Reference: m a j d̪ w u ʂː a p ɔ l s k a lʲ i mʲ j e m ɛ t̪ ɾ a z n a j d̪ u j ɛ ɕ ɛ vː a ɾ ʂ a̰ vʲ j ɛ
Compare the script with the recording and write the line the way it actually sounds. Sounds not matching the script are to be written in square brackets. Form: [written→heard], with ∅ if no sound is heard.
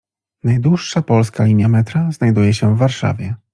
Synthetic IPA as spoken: [m→n] a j d̪ w u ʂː a p ɔ l s k a lʲ i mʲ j [e→a] m ɛ t̪ ɾ a z n a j d̪ u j ɛ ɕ ɛ vː a ɾ ʂ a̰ vʲ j ɛ

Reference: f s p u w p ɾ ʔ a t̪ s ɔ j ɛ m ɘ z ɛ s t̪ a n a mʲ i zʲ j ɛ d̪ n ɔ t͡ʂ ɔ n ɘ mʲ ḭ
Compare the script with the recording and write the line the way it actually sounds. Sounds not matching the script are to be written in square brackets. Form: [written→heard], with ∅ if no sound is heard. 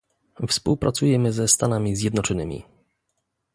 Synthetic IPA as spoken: f s p u w p ɾ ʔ a t̪ s [ɔ→u] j ɛ m ɘ z ɛ s t̪ a n a mʲ i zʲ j ɛ d̪ n ɔ t͡ʂ ɔ n ɘ mʲ ḭ

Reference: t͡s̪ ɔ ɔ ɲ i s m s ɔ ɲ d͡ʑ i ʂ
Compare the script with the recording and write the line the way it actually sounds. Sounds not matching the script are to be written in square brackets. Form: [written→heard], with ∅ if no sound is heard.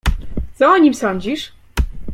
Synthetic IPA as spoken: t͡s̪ ɔ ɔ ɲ i [s→∅] m s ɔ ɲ d͡ʑ i ʂ

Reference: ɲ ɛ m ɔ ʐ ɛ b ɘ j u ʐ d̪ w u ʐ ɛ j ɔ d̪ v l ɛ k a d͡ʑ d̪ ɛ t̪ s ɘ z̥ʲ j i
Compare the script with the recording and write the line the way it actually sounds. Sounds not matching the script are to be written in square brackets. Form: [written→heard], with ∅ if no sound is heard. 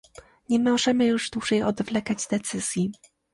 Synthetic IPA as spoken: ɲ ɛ m ɔ ʐ ɛ [b→m] ɘ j u ʐ d̪ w u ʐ ɛ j ɔ d̪ v l ɛ k a d͡ʑ d̪ ɛ t̪ s ɘ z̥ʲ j i

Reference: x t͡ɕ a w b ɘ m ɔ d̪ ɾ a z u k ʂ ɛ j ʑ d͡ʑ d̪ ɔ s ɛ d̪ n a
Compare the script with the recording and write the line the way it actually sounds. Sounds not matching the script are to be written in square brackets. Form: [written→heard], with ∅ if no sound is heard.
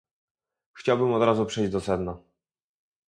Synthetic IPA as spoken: x t͡ɕ a w b ɘ m ɔ d̪ ɾ a z u [k→p] ʂ ɛ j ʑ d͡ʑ d̪ ɔ s ɛ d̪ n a

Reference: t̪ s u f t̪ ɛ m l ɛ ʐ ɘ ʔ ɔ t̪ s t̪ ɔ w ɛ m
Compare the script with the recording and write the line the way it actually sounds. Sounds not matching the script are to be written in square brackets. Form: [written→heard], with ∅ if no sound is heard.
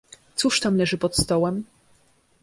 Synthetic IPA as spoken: t̪ s u [f→ʂ] t̪ [ɛ→a] m l ɛ ʐ ɘ [ʔ→p] ɔ t̪ s t̪ ɔ w ɛ m

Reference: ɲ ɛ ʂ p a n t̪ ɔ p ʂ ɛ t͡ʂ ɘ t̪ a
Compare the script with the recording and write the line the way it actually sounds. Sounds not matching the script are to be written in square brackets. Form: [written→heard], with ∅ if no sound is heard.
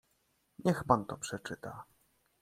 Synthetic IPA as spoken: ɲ ɛ [ʂ→x] p a n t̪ ɔ p ʂ ɛ t͡ʂ ɘ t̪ a

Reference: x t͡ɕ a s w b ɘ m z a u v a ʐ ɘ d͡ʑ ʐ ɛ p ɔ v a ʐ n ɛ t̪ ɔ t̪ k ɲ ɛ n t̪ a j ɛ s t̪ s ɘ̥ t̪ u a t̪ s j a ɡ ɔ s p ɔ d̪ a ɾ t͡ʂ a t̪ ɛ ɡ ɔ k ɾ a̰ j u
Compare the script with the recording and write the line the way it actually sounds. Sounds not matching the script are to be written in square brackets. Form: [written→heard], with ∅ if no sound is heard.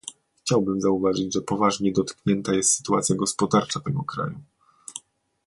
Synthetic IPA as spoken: x t͡ɕ a [s→∅] w b ɘ m z a u v a ʐ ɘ d͡ʑ ʐ ɛ p ɔ v a ʐ [n→ɲ] ɛ [t̪→d̪] ɔ t̪ k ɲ ɛ n t̪ a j ɛ s t̪ s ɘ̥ t̪ u a t̪ s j a ɡ ɔ s p ɔ d̪ a ɾ t͡ʂ a t̪ ɛ ɡ ɔ k ɾ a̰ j u

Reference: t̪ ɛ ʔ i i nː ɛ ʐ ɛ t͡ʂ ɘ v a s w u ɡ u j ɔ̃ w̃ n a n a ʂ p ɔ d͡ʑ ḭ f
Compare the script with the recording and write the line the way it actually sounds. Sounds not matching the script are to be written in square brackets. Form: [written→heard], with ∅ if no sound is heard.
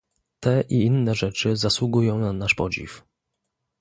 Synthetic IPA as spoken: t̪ ɛ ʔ i i nː ɛ ʐ ɛ t͡ʂ ɘ [v→z] a s w u ɡ u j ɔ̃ w̃ n a n a ʂ p ɔ d͡ʑ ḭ f

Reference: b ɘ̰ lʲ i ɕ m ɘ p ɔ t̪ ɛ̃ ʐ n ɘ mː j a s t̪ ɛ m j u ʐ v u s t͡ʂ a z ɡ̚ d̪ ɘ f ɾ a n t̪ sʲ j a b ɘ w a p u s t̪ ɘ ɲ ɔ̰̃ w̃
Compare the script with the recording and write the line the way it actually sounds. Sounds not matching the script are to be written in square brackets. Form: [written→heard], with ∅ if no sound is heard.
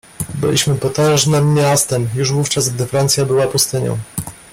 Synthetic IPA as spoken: b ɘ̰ lʲ i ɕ m ɘ p ɔ t̪ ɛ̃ ʐ n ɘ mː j a s t̪ ɛ m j u ʐ v u [s→f] t͡ʂ a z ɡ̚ d̪ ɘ f ɾ a n t̪ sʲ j a b ɘ w a p u s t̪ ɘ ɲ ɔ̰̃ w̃

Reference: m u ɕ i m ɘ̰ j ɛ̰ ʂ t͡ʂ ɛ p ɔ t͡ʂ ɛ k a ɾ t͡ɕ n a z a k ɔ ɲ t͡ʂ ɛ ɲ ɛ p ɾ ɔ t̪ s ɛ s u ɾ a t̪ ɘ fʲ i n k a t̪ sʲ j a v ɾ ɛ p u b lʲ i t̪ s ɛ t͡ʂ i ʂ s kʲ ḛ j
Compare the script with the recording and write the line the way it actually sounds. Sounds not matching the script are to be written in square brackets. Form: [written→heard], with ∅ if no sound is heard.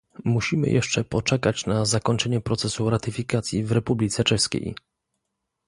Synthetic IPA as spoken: m u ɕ i m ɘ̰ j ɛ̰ ʂ t͡ʂ ɛ p ɔ t͡ʂ ɛ k a [ɾ→∅] t͡ɕ n a z a k ɔ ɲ t͡ʂ ɛ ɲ ɛ p ɾ ɔ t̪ s ɛ s u ɾ a t̪ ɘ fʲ i [n→∅] k a t̪ sʲ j [a→i] v ɾ ɛ p u b lʲ i t̪ s ɛ t͡ʂ [i→ɛ] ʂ s kʲ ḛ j

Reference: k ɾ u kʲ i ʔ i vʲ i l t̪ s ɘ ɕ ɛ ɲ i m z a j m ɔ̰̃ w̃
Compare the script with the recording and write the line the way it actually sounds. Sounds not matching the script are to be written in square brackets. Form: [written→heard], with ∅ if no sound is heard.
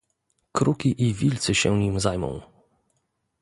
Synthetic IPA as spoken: k ɾ u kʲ i ʔ i vʲ i l t̪ s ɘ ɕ ɛ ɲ i m z a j m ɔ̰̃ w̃

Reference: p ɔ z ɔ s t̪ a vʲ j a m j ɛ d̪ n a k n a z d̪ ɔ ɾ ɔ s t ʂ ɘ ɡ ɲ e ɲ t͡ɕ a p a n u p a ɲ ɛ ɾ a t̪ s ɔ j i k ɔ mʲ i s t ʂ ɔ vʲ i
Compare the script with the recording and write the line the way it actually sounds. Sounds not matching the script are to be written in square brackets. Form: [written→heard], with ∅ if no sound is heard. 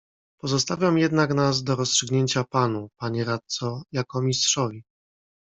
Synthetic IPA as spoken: p ɔ z ɔ s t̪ a vʲ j a m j ɛ d̪ n a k n a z d̪ ɔ ɾ ɔ s t ʂ ɘ ɡ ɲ e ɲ t͡ɕ a p a n u p a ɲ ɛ ɾ a t̪ s ɔ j [i→a] k ɔ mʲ i s t ʂ ɔ vʲ i

